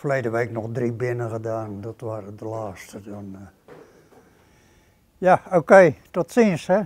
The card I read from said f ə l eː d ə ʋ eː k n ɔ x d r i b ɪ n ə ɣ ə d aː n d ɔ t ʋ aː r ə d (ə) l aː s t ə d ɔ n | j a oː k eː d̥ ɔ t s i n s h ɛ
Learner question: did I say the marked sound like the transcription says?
yes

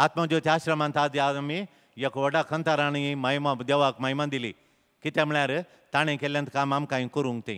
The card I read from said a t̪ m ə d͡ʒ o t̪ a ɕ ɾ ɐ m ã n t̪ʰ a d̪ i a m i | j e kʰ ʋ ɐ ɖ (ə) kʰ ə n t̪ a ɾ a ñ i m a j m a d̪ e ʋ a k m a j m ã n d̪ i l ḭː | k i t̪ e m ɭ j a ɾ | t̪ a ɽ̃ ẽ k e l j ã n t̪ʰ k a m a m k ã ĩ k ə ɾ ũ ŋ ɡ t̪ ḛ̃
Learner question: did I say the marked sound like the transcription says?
no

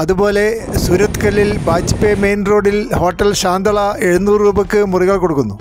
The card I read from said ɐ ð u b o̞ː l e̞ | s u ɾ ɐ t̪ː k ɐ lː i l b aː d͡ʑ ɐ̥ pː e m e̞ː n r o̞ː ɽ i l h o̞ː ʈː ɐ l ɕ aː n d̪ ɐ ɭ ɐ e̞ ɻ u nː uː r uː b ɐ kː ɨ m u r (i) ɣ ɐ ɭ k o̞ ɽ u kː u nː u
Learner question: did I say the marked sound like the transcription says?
yes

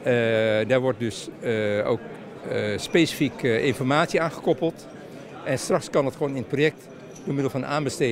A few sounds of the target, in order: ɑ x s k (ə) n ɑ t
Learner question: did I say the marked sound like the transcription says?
no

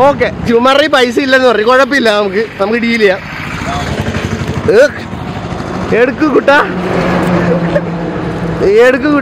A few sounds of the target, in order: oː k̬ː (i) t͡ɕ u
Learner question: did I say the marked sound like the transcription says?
no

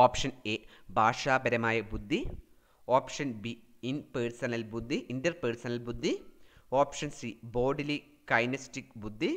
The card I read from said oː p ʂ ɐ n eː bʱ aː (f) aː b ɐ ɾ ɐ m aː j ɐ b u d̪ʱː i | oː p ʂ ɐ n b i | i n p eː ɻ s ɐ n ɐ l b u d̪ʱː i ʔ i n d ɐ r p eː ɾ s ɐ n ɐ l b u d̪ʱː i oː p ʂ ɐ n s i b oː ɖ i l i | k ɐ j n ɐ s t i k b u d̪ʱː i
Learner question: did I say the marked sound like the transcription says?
no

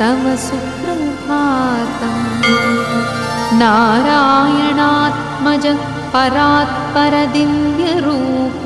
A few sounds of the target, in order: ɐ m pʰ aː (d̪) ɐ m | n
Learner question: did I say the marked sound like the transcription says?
no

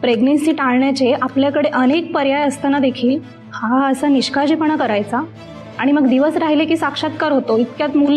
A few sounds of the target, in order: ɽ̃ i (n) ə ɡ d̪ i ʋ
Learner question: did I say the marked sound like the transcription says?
no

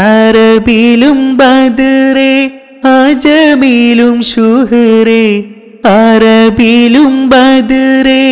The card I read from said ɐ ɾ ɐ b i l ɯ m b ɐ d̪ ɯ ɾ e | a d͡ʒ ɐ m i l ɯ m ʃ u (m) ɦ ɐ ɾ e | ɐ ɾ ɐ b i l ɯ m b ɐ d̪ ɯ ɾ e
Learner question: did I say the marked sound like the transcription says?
no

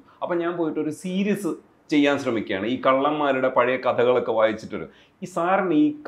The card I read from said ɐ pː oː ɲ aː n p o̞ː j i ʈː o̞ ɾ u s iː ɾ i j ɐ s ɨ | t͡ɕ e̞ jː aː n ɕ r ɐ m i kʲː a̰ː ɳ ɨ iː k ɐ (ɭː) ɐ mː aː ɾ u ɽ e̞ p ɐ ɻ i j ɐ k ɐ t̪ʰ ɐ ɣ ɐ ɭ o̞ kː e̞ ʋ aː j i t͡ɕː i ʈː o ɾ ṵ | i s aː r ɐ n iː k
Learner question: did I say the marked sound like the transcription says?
yes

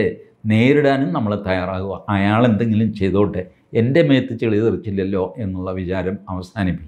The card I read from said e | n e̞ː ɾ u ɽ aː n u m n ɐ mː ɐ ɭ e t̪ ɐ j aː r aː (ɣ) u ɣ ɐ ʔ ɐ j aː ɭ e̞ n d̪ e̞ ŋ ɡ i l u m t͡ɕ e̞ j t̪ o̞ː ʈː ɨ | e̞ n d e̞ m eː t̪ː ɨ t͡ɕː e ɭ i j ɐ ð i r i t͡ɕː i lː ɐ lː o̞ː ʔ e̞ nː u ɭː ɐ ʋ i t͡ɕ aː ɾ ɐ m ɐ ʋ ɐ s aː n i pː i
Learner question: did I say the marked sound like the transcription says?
yes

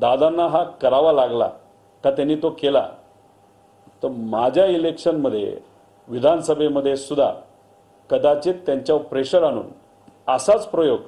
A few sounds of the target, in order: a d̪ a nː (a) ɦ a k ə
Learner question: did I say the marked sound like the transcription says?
yes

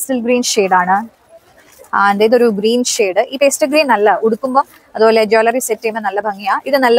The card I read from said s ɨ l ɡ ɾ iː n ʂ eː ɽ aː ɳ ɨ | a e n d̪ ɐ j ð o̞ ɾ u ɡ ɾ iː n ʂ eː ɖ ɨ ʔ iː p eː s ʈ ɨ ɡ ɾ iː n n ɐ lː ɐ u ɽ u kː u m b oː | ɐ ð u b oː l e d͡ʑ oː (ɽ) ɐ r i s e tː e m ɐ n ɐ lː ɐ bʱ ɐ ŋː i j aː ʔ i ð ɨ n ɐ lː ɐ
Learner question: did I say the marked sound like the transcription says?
no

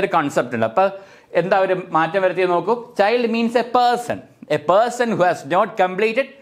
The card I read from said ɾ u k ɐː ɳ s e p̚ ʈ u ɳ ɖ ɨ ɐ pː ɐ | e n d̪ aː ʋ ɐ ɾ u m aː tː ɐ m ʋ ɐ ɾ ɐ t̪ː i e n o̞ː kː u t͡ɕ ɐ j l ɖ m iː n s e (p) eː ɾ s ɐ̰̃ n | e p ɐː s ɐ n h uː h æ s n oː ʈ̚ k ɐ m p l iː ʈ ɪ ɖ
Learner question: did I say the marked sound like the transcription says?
yes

